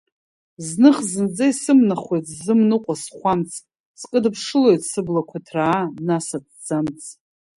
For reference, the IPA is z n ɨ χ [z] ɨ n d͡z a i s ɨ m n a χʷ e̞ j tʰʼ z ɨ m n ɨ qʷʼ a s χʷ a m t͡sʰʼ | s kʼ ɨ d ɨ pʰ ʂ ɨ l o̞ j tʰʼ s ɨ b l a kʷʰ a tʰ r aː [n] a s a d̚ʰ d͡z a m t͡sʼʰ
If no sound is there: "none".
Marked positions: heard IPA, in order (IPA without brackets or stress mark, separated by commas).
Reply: z, n